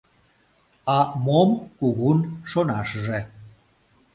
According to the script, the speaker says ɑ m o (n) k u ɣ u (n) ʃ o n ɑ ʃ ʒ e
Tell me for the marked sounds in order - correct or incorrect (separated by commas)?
incorrect, correct